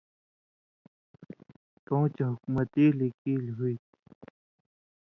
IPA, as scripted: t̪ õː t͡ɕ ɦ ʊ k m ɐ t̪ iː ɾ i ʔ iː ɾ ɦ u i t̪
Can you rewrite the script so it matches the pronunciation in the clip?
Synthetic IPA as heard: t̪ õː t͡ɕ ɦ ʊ k m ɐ t̪ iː l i k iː l ɦ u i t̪